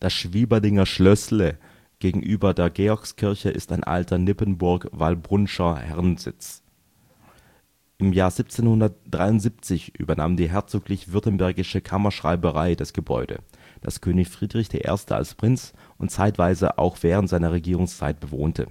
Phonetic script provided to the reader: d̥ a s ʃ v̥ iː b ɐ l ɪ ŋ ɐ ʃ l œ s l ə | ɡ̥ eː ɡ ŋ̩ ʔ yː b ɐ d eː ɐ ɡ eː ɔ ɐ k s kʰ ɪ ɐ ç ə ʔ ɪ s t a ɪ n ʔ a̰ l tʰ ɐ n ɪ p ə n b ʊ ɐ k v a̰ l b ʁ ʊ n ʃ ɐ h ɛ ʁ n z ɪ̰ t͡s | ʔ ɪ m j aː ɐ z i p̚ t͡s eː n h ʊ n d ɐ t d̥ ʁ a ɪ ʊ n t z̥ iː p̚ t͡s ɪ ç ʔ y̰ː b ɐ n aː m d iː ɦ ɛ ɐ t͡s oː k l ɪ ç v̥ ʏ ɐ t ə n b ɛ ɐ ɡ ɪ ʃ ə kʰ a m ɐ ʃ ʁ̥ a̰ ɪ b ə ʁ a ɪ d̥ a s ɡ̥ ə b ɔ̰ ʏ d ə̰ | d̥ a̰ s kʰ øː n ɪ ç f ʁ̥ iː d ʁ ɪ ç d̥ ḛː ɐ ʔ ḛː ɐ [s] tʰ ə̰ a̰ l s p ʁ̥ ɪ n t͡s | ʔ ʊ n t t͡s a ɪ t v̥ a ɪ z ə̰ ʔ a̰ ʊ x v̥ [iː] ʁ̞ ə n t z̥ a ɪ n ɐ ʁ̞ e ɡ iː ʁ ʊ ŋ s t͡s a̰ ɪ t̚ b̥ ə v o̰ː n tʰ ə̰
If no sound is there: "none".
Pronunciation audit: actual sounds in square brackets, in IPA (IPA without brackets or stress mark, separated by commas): s, ɛː